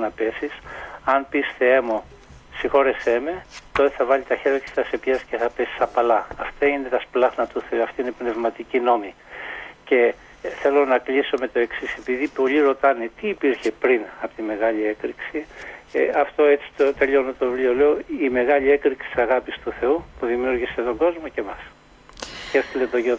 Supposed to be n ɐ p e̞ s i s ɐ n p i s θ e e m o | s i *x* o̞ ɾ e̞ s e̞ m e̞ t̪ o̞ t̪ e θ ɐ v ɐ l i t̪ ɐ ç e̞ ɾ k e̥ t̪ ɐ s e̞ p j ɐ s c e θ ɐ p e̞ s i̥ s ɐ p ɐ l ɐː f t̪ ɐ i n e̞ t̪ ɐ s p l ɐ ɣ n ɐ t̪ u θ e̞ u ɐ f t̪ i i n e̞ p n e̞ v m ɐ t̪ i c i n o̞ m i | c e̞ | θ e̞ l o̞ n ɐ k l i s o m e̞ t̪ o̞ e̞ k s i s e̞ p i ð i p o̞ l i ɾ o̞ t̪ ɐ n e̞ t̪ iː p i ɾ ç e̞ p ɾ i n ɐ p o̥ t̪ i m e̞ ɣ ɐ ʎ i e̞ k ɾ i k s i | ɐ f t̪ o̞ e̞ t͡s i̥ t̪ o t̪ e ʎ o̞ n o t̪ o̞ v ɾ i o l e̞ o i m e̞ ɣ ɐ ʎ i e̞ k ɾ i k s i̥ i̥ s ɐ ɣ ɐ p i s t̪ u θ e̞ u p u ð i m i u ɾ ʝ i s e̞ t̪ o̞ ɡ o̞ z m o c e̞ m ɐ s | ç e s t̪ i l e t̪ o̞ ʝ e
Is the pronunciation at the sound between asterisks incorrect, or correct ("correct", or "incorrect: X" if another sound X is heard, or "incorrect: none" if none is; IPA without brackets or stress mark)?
correct